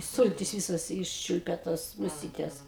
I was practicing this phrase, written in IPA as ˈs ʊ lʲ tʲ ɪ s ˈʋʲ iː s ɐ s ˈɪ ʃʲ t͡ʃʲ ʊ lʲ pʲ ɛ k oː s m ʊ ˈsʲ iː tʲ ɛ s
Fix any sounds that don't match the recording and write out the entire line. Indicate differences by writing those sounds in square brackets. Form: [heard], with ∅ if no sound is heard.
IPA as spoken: ˈs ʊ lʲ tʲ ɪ s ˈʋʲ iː s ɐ s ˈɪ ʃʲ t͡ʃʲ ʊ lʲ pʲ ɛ [t] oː s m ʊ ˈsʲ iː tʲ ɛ s